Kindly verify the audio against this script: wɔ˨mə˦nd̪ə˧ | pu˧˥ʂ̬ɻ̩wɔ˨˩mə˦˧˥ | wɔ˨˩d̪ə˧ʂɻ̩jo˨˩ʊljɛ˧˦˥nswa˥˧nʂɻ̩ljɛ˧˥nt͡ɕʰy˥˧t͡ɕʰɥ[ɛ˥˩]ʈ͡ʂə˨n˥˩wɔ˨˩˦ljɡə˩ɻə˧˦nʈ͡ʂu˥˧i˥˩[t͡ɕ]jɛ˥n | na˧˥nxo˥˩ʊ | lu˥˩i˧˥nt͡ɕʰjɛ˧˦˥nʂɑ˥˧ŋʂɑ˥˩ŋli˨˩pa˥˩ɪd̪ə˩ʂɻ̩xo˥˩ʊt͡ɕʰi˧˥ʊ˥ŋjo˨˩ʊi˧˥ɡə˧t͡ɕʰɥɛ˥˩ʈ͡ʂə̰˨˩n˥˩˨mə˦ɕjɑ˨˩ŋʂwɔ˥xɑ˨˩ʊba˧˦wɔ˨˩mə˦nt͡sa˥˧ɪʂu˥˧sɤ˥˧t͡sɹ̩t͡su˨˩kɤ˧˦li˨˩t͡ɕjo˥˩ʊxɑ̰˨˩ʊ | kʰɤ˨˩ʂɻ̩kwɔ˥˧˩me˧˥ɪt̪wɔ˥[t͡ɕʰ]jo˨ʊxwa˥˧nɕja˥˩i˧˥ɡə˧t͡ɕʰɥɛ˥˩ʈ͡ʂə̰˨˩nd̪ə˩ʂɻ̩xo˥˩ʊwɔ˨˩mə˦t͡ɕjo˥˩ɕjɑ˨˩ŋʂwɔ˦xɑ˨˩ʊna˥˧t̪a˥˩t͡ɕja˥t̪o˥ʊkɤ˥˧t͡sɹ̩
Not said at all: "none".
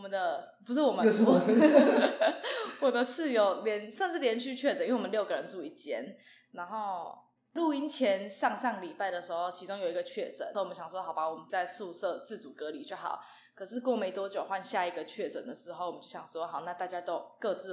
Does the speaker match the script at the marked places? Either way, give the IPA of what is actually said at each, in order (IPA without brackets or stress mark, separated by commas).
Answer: ɛ˥˩, t͡ɕ, t͡ɕ